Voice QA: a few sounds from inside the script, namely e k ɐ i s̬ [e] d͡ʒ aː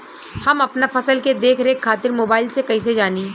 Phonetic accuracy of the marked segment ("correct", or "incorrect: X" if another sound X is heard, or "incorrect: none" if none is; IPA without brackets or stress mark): correct